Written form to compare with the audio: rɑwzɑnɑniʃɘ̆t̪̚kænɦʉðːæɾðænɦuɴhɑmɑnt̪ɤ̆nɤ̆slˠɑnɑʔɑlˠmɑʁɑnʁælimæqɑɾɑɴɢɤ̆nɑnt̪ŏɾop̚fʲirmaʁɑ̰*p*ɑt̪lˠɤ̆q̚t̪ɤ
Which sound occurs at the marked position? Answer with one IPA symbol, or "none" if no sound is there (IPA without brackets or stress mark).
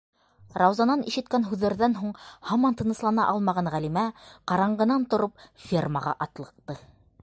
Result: ʔ